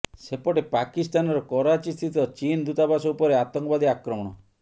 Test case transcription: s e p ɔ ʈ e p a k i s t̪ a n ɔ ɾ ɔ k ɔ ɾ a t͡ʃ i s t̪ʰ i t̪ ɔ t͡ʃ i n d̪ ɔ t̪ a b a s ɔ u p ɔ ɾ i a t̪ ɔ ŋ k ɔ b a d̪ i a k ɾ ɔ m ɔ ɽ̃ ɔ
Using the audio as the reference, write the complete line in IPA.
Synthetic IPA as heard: s e p ɔ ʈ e p a k i s t̪ a n ɔ ɾ ɔ k ɔ ɾ a t͡ʃ i s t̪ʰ i t̪ ɔ t͡ʃ i n d̪ u t̪ a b a s ɔ u p ɔ ɾ e a t̪ ɔ ŋ k ɔ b a d̪ i a k ɾ ɔ m ɔ ɽ̃ ɔ